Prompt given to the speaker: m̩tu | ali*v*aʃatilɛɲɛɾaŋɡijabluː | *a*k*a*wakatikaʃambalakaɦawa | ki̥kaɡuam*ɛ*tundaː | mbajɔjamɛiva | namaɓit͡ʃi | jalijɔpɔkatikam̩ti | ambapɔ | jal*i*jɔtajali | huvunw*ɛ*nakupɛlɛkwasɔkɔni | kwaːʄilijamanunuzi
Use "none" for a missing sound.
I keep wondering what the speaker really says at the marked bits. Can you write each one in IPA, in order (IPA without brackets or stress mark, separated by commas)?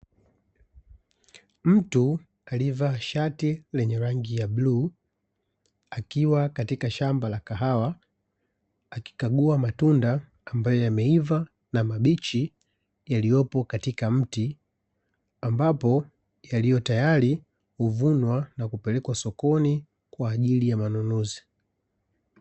v, a, i, a, i, a